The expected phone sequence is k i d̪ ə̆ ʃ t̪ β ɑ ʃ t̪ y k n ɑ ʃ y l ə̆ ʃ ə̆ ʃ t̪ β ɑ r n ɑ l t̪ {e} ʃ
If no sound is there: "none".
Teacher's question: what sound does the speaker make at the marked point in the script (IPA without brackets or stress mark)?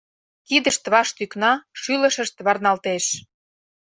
e